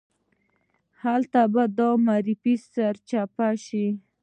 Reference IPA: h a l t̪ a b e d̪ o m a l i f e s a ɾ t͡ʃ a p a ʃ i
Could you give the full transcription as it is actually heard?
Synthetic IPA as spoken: h a l t̪ a b a d̪ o m a ɾ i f i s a ɾ t͡ʃ a p a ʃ i